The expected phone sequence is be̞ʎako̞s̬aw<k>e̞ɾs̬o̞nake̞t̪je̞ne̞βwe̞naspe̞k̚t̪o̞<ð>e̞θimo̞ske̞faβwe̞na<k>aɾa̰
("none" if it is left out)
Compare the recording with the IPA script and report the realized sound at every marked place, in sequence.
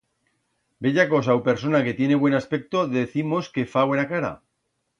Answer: p, ð, k

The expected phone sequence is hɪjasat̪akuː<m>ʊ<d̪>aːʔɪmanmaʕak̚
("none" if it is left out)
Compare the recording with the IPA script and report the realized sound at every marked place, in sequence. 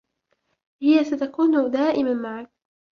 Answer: n, d̪

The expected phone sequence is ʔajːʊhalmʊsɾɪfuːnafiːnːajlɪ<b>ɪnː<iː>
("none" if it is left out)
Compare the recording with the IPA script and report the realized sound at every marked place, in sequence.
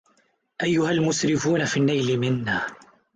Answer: m, aː

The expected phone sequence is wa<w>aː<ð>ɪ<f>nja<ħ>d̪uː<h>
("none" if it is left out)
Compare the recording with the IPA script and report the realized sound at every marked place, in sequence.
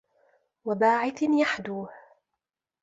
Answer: b, ʕ, θ, ħ, h

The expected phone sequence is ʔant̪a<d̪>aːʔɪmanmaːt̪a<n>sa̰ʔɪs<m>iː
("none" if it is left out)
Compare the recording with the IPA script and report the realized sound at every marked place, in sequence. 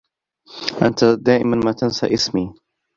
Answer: d̪, n, m

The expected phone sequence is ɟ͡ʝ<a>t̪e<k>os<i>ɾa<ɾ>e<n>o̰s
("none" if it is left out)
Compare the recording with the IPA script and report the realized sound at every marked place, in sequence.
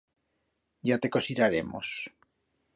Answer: a, k, i, ɾ, m

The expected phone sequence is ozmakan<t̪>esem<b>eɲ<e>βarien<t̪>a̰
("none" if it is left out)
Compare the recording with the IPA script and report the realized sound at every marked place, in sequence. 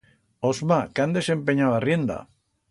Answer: d̪, p, a, d̪

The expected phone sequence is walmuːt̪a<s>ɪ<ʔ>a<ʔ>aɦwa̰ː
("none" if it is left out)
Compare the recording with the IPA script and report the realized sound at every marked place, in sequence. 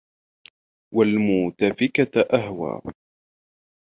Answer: f, k, ʔ

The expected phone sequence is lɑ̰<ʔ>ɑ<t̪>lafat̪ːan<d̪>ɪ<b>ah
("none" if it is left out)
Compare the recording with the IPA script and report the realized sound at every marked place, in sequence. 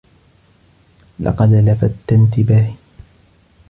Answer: q, d̪, t̪, b

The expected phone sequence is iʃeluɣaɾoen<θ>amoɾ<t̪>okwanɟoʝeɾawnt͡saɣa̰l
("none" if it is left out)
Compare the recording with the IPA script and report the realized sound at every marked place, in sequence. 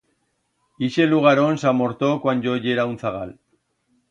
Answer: s, t̪

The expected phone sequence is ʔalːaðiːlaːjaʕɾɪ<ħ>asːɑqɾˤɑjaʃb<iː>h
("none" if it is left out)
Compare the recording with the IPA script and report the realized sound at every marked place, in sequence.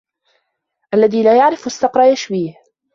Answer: f, iː

